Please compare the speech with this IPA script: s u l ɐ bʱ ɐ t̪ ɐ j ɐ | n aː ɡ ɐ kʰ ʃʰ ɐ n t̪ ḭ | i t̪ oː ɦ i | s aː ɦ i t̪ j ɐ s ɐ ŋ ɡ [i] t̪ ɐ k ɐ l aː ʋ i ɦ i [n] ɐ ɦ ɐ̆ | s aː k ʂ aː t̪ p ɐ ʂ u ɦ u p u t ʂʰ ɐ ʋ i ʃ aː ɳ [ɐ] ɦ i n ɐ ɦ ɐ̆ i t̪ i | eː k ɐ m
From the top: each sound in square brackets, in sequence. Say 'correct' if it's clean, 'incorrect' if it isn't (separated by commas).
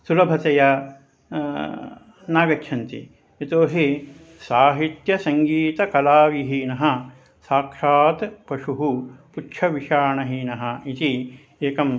incorrect, correct, correct